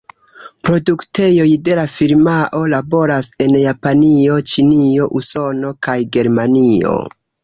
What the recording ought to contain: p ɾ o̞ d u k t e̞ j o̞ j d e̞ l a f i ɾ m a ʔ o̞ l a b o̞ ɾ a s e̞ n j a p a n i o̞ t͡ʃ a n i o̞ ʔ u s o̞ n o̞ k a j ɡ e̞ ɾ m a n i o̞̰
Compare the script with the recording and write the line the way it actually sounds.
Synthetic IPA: p ɾ o̞ d u k t e̞ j o̞ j d e̞ l a f i ɾ m a ʔ o̞ l a b o̞ ɾ a s e̞ n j a p a n i o̞ t͡ʃ i n i o̞ ʔ u s o̞ n o̞ k a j ɡ e̞ ɾ m a n i o̞̰